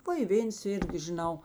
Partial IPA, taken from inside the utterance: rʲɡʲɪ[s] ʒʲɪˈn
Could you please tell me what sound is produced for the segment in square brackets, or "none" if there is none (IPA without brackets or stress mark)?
none